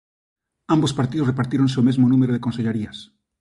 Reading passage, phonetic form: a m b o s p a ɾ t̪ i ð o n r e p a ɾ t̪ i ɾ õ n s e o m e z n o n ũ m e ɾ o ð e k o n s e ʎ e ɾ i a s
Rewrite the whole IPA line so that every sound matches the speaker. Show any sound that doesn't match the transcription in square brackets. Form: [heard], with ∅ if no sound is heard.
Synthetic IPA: a m b o s p a ɾ t̪ i ð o [∅] r e p a ɾ t̪ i ɾ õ n s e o m e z [m] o n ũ m e ɾ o ð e k o n s e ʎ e ɾ i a s